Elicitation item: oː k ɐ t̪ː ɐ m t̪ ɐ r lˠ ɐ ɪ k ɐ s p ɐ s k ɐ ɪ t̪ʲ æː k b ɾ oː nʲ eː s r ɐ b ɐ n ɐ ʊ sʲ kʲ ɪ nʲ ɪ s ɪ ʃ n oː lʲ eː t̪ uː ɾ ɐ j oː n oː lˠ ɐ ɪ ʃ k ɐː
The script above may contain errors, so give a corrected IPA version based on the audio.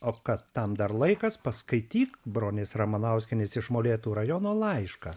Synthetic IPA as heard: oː k ɐ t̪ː ɐ m d̪ ɐ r lˠ ɐ ɪ k ɐ s p ɐ s k ɐ ɪ t̪ʲ iː k b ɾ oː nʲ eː s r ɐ m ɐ n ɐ ʊ sʲ kʲ ɪ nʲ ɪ s ɪ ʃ m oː lʲ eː t̪ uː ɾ ɐ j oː n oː lˠ ɐ ɪ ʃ k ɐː